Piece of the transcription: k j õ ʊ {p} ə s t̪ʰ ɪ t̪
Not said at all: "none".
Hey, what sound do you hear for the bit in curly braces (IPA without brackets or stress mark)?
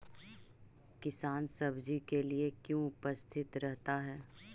p